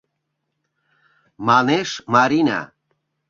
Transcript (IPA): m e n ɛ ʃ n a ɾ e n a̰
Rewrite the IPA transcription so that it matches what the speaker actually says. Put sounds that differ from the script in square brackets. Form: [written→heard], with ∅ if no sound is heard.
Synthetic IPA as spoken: m [e→a] n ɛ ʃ [n→m] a ɾ [e→i] n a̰